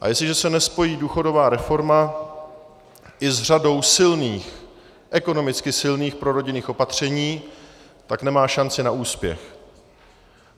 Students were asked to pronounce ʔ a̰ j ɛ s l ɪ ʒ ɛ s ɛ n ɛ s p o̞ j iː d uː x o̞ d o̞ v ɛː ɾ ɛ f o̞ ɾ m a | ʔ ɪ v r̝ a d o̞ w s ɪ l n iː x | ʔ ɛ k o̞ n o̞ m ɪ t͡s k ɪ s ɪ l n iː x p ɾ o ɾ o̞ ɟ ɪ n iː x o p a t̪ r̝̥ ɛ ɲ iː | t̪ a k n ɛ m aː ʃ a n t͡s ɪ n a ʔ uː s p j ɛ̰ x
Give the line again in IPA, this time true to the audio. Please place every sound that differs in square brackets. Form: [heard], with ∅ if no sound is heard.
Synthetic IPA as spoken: ʔ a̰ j ɛ s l ɪ ʒ ɛ s ɛ n ɛ s p o̞ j iː d uː x o̞ d o̞ v [aː] ɾ ɛ f o̞ ɾ m a | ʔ ɪ [z] r̝ a d o̞ w s ɪ l n iː x | ʔ ɛ k o̞ n o̞ m ɪ t͡s k ɪ s ɪ l n iː x p ɾ o ɾ o̞ ɟ ɪ n iː x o p a t̪ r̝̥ ɛ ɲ iː | t̪ a k n ɛ m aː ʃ a n t͡s ɪ n a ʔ uː s p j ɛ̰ x